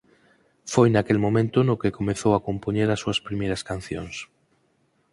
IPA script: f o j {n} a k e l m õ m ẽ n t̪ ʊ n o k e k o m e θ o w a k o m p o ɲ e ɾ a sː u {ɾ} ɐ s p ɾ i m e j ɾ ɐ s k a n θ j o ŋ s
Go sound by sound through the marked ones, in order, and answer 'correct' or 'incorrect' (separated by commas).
correct, incorrect